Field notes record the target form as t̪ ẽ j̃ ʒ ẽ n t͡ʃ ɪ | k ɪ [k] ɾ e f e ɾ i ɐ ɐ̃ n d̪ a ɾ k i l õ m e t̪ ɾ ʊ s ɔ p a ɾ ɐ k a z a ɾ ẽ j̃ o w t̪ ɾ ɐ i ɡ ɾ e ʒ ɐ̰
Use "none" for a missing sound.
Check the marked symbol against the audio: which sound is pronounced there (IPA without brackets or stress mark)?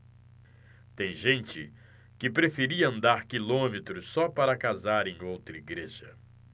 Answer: p